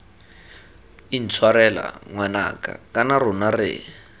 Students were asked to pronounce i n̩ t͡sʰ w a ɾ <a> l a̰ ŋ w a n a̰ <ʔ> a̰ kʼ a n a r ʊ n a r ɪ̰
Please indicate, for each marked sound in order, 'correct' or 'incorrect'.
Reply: incorrect, incorrect

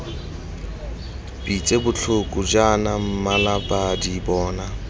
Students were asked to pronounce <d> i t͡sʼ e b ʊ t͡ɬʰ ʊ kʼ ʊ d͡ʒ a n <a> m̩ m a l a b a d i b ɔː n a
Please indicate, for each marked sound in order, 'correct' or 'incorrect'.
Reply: incorrect, correct

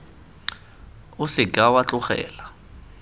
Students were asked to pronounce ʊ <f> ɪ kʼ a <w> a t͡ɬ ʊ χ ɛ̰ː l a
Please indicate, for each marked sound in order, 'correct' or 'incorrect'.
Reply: incorrect, correct

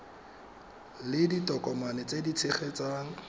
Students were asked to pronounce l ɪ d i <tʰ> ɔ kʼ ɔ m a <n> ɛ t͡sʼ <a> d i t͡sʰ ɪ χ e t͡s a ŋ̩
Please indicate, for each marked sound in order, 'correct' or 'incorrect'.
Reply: incorrect, correct, incorrect

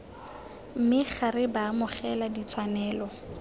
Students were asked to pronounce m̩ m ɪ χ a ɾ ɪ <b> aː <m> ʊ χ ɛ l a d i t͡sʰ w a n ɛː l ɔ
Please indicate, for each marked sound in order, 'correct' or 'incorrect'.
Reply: correct, correct

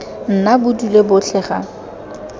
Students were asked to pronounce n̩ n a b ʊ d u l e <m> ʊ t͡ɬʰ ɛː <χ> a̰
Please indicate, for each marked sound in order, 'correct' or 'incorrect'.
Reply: incorrect, correct

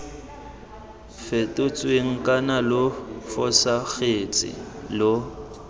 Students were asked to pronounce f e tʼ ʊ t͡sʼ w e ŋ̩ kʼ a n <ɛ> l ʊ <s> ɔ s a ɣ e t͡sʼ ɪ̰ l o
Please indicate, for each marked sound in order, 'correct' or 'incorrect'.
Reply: incorrect, incorrect

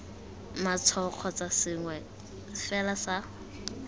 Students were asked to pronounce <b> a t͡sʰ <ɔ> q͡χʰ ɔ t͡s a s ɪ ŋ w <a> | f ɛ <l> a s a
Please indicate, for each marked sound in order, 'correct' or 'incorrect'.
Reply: incorrect, correct, incorrect, correct

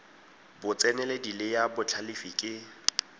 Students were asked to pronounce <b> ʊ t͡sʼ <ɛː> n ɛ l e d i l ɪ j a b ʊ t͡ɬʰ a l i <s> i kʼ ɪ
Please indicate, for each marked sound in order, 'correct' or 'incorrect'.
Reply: correct, incorrect, incorrect

